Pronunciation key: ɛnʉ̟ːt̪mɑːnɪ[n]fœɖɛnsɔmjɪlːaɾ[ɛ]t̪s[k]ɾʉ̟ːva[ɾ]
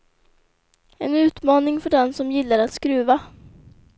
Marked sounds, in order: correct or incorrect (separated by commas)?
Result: incorrect, incorrect, correct, incorrect